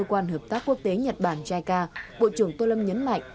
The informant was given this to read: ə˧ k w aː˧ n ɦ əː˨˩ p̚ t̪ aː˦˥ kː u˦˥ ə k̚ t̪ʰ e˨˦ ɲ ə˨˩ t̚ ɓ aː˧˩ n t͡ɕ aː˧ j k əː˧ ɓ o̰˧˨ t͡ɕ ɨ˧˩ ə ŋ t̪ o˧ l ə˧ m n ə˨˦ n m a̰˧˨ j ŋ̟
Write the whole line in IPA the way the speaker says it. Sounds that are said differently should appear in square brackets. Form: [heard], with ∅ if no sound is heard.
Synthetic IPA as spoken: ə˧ k w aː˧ n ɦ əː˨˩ p̚ t̪ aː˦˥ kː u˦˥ ə k̚ [t̪] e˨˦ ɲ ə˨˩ t̚ ɓ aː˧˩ n t͡ɕ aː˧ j k [aː˧] ɓ o̰˧˨ t͡ɕ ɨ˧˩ ə ŋ t̪ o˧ l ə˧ m [ɲ] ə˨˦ n m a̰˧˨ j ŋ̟